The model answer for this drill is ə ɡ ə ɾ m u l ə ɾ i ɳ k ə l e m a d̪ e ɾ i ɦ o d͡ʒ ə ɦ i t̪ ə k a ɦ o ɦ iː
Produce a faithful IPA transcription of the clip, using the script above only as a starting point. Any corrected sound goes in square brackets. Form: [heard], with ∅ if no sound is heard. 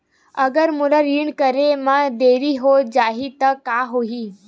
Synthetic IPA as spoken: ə ɡ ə ɾ m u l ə ɾ i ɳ k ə [ɾ] e m a d̪ e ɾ i ɦ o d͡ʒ [a] ɦ i t̪ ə k a ɦ o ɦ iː